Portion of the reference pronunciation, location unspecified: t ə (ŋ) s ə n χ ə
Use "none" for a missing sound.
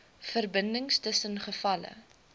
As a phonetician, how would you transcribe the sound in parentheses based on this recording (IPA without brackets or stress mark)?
none